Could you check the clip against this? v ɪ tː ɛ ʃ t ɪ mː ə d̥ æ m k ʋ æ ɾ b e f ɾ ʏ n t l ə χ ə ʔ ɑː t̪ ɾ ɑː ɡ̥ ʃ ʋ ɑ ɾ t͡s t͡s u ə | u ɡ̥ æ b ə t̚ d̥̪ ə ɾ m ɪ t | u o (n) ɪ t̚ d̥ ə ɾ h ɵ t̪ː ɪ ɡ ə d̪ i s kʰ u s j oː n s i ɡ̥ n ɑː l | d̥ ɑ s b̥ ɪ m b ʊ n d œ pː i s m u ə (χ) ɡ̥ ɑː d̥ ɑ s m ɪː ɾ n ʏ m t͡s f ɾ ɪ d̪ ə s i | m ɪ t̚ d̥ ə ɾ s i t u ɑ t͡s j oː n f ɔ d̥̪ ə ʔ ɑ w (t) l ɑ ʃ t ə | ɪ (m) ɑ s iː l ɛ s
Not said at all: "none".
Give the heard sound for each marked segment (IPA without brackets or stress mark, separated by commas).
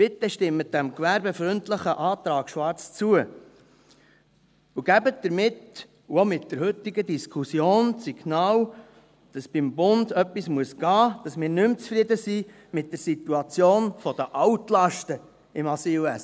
m, s, t, m